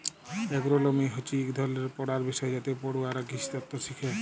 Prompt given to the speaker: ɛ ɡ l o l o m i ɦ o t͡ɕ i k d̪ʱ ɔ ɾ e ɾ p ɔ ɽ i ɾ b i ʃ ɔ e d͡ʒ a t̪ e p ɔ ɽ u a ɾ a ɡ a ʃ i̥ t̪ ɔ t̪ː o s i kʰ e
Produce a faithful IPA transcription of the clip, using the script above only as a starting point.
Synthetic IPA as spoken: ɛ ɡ ɾ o l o m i ɦ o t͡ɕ i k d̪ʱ ɔ l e ɾ p ɔ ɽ a ɾ b i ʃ ɔ e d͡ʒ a t̪ e p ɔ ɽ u a ɾ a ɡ i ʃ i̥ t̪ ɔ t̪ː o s i kʰ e